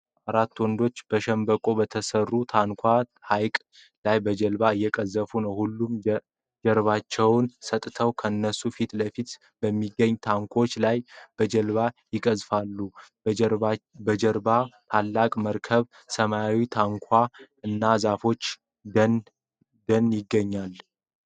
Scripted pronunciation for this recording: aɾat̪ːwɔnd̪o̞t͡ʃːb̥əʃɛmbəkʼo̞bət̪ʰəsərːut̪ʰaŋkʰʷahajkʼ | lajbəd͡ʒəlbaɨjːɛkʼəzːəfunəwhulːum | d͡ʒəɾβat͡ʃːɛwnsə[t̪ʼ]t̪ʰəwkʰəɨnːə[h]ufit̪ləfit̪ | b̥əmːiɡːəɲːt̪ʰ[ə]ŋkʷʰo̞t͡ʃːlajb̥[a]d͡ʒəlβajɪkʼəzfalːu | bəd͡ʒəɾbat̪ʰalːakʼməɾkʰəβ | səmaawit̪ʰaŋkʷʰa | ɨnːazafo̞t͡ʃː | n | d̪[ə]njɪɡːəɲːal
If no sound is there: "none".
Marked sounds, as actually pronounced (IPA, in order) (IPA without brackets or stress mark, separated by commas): t̪ʼ, s, a, ə, ə